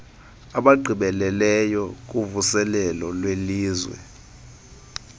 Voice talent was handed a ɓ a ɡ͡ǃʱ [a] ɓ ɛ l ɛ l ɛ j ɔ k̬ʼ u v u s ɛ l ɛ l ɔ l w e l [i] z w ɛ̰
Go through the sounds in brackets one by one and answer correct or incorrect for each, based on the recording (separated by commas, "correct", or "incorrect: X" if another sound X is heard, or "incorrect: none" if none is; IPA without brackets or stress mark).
incorrect: i, incorrect: iː